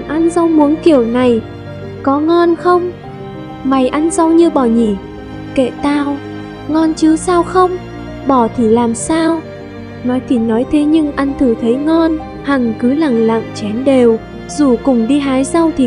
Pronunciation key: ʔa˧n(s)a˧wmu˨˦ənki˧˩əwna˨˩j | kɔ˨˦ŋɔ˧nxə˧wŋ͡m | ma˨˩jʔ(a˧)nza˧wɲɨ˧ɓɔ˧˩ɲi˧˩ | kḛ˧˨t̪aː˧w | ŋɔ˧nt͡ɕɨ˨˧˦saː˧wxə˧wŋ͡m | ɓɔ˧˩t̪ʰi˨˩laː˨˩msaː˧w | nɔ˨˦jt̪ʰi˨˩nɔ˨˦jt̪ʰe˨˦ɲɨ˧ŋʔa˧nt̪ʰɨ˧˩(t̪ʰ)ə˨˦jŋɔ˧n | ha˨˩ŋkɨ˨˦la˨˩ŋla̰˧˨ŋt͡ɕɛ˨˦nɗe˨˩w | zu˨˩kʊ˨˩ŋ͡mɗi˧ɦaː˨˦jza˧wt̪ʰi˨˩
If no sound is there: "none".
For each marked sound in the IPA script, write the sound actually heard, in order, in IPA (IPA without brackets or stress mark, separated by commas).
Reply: z, a˧, t̪ʰ